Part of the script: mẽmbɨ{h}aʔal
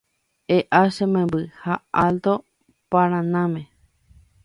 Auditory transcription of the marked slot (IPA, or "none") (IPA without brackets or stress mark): h